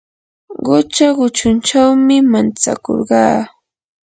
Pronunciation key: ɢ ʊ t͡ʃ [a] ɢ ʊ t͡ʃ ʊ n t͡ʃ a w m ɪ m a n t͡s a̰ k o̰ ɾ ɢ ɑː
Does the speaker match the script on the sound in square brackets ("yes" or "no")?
yes